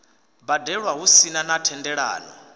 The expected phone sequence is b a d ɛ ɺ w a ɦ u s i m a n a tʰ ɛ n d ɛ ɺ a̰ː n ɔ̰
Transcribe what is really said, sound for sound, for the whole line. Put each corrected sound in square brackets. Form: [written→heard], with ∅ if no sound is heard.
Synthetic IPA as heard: b a d ɛ ɺ w a ɦ u s i [m→n] a n a tʰ ɛ n d ɛ ɺ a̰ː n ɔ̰